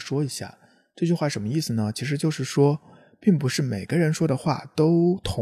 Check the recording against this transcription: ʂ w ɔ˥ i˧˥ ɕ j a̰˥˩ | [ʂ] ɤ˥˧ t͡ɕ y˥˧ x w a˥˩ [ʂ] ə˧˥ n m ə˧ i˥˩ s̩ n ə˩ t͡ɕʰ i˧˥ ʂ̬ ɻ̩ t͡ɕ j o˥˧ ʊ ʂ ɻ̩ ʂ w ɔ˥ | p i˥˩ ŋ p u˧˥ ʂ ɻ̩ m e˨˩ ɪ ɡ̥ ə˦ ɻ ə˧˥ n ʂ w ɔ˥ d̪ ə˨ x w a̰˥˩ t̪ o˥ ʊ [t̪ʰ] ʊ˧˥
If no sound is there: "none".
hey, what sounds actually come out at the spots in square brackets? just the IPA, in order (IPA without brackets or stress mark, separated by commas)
ʈ͡ʂ, ʂ, t̪ʰ